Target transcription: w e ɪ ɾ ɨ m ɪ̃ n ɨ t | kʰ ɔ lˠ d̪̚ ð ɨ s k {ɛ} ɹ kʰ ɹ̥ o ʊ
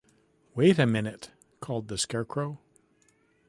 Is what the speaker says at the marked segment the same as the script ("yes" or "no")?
yes